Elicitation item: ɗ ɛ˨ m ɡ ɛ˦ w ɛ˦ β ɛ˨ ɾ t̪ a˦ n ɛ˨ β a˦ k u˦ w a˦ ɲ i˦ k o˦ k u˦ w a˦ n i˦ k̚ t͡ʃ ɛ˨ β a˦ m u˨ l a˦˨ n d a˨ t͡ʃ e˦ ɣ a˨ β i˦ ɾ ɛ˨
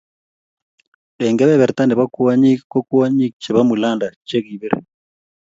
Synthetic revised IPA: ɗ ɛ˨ ŋ ɡ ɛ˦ β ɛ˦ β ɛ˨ ɾ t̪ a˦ n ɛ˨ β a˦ k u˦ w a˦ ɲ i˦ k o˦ k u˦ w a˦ ɲ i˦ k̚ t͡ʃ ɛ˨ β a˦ m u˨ l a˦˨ n d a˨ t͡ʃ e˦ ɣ i˨ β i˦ ɾ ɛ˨